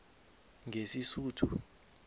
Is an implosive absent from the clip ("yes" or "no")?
yes